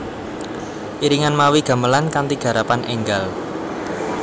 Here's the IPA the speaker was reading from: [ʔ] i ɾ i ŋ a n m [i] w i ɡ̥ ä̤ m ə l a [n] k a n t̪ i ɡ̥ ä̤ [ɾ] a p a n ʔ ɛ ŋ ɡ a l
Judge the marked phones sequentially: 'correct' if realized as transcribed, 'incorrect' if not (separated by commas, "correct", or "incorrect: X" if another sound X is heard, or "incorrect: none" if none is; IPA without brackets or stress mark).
correct, incorrect: a, correct, correct